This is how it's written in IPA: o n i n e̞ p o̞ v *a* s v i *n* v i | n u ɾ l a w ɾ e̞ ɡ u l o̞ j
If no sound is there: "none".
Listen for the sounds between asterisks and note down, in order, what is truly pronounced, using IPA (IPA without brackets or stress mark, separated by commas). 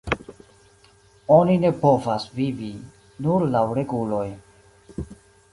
a, none